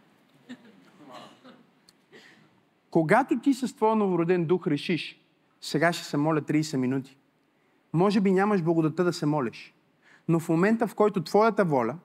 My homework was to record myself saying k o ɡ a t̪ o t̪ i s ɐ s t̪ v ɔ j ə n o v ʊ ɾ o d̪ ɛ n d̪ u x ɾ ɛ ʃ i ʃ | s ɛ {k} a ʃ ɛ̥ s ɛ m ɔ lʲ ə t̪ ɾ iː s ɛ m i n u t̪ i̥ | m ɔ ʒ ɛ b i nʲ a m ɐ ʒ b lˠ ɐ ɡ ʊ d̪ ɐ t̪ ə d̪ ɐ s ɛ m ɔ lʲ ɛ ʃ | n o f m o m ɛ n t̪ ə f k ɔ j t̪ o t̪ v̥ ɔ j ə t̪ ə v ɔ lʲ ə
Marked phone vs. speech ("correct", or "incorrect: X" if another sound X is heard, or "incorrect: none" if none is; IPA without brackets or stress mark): incorrect: ɡ